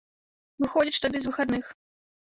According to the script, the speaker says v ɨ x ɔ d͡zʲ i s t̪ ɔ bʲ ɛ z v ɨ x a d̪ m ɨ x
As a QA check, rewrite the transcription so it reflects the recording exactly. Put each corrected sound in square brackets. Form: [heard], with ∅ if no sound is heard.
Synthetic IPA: v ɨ x ɔ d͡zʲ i [ʂ] t̪ ɔ bʲ ɛ z v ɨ x a d̪ [n] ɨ x